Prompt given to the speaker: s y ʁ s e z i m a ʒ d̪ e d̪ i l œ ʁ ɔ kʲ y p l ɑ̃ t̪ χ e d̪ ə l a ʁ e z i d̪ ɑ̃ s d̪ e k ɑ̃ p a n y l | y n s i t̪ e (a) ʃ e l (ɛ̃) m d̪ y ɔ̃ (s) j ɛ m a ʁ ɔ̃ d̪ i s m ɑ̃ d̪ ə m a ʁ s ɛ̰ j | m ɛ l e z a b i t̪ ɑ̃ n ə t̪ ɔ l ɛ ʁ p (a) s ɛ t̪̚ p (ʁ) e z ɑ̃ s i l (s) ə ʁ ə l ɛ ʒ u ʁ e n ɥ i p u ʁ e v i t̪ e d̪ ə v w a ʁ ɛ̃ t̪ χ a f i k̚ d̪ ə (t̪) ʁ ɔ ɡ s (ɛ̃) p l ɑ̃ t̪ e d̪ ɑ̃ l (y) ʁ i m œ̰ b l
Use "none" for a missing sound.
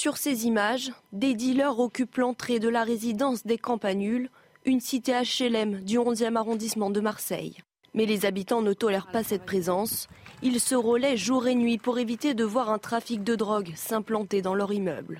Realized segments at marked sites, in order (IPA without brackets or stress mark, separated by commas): a, ɛ, z, a, χ, s, d̪, ɛ̃, œ